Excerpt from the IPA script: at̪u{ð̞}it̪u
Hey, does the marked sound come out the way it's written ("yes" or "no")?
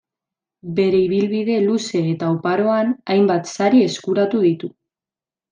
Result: yes